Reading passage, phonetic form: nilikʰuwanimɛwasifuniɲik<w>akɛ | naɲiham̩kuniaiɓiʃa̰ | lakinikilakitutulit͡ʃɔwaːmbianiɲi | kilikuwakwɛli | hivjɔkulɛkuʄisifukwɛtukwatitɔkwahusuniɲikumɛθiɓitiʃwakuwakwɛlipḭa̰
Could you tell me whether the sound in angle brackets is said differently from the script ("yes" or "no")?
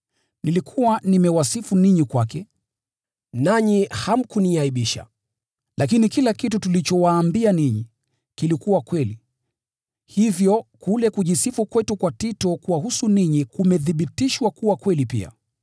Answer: no